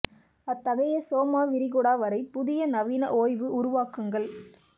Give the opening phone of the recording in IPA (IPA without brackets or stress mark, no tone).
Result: ɐ